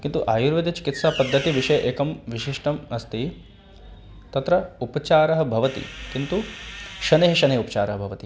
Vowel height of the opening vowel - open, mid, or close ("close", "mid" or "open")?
close